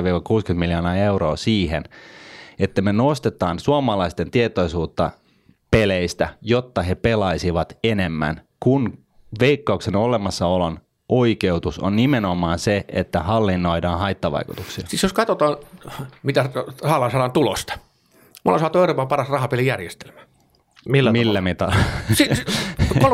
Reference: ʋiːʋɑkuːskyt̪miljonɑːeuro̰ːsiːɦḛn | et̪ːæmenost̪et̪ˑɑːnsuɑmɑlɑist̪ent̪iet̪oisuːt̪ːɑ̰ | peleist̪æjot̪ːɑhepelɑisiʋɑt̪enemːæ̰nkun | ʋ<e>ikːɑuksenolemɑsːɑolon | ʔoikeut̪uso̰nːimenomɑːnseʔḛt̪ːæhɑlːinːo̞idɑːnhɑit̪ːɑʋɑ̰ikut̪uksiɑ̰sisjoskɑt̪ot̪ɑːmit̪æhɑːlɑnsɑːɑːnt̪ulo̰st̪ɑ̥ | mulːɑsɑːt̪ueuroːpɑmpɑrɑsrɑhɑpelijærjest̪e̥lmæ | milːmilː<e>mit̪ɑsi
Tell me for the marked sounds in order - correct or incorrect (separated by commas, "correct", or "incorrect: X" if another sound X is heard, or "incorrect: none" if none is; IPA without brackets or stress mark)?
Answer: correct, incorrect: æ